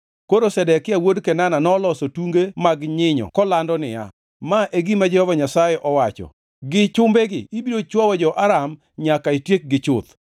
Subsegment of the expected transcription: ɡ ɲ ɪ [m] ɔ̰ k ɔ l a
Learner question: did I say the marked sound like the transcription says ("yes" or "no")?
no